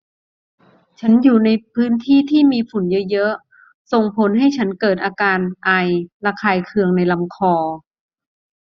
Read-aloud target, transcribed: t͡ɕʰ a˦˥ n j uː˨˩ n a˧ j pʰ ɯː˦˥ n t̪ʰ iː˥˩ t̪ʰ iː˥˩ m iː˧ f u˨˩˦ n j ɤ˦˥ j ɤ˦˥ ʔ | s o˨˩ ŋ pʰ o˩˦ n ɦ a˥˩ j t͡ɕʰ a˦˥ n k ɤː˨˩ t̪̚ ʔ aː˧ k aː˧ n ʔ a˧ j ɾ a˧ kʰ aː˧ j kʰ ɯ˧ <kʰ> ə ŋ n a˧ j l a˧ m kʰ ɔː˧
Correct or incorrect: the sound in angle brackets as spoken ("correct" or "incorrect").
incorrect